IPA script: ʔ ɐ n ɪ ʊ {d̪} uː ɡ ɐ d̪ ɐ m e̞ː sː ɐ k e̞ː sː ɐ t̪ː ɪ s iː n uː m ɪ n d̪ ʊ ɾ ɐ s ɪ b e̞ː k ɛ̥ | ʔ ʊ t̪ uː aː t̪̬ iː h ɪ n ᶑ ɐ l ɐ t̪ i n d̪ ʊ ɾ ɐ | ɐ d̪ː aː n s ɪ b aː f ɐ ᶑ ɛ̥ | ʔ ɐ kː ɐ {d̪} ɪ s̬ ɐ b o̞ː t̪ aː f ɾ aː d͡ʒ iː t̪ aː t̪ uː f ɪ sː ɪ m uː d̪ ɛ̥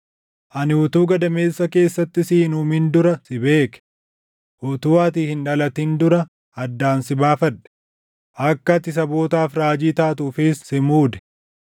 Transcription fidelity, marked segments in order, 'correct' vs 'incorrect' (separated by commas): incorrect, incorrect